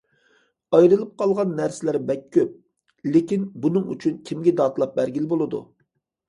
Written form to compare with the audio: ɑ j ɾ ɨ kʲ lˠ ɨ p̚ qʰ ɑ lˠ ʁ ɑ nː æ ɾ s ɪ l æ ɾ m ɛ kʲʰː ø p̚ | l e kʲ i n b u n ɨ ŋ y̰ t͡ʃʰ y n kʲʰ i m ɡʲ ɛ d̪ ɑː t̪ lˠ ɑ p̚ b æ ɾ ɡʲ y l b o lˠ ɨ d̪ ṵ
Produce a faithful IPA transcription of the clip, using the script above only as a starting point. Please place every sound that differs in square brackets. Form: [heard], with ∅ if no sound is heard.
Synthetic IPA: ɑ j ɾ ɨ [∅] lˠ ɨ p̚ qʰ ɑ lˠ ʁ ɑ nː æ ɾ s ɪ l æ ɾ [b] ɛ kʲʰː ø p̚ | l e kʲ i n b u n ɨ ŋ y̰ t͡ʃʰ y n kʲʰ i m ɡʲ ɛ d̪ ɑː t̪ lˠ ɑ p̚ b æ ɾ ɡʲ [i] l b o lˠ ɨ d̪ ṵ